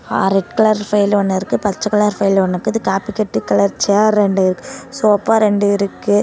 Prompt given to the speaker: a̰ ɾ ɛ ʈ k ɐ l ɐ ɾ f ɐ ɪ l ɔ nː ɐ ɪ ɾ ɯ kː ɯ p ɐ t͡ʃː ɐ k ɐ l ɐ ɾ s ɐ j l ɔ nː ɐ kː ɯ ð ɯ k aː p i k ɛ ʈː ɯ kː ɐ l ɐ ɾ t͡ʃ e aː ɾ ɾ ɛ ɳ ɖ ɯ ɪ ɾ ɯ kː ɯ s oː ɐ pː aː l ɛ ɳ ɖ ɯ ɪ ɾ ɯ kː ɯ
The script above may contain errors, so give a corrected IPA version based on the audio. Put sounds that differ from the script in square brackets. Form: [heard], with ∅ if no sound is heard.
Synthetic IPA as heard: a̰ ɾ ɛ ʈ k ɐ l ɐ ɾ f ɐ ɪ l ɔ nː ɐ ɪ ɾ ɯ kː ɯ p ɐ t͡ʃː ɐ k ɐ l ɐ ɾ [f] ɐ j l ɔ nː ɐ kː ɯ ð ɯ k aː p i k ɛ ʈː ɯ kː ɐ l ɐ ɾ t͡ʃ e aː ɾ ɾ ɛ ɳ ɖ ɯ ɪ ɾ ɯ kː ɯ s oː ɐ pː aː [ɾ] ɛ ɳ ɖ ɯ ɪ ɾ ɯ kː ɯ